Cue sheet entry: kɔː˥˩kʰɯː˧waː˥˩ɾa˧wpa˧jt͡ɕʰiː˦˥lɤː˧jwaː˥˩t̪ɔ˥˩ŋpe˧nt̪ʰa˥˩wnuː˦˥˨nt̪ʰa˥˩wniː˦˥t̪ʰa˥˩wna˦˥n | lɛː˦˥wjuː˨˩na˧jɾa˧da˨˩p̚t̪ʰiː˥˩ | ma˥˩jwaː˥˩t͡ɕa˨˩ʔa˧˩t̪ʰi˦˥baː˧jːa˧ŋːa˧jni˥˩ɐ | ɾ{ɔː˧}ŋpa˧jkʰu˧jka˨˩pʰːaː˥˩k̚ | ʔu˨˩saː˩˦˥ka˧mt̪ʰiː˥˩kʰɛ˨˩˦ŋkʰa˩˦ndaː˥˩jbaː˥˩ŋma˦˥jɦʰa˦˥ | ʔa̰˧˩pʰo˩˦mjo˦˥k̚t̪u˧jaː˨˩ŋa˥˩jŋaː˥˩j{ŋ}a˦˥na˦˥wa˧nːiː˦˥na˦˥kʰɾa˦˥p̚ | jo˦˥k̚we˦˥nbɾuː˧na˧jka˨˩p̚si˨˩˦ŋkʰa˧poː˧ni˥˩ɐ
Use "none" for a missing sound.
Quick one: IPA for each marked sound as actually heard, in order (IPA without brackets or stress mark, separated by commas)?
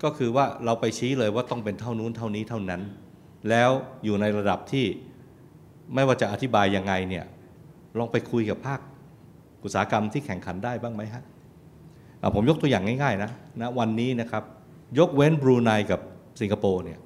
ɔː˧, n